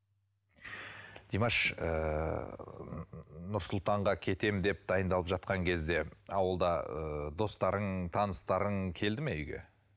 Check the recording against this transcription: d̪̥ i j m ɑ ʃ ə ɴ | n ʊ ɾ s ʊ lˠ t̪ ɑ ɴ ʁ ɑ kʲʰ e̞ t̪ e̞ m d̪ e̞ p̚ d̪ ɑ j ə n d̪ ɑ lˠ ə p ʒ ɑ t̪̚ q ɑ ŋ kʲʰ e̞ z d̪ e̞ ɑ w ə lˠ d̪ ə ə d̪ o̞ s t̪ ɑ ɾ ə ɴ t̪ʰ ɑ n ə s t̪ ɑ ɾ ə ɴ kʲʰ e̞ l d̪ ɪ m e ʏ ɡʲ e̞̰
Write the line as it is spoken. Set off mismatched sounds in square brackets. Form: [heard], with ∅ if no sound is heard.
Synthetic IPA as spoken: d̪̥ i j m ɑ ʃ ə [∅] | n ʊ ɾ s ʊ lˠ t̪ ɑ ɴ ʁ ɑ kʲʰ e̞ t̪ e̞ m d̪ e̞ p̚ d̪ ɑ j ə n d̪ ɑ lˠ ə p ʒ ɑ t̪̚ q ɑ ŋ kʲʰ e̞ z d̪ e̞ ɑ w ə lˠ d̪ [ɑ] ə d̪ o̞ s t̪ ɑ ɾ ə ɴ t̪ʰ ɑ n ə s t̪ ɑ ɾ ə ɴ kʲʰ e̞ l d̪ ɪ m e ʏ ɡʲ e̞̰